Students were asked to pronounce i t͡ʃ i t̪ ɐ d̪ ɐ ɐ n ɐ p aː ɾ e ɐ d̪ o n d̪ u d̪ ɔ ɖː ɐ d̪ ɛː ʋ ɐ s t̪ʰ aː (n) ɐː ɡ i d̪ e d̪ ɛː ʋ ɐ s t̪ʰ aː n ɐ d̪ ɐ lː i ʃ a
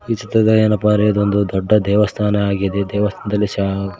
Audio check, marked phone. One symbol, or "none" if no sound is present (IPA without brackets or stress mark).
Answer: n